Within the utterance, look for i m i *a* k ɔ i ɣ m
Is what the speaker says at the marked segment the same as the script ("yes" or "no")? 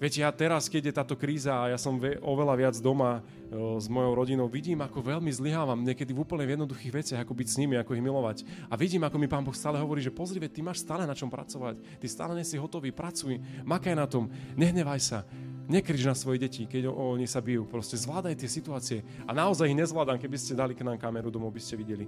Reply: yes